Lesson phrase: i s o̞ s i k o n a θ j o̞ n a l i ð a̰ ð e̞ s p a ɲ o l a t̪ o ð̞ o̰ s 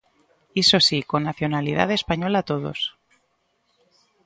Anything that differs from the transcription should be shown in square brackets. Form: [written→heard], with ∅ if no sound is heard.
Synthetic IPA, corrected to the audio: i s o̞ s i k o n a θ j o̞ n a l i ð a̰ ð e̞ s p a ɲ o l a t̪ o ð̞ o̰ s